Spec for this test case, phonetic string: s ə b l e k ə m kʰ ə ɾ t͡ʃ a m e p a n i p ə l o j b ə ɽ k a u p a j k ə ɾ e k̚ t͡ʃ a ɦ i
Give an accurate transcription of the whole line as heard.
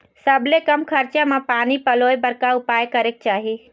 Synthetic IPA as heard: s ə b l e k ə m kʰ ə ɾ t͡ʃ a m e p a n i p ə l o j b ə ɾ k a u p a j k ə ɾ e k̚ t͡ʃ a ɦ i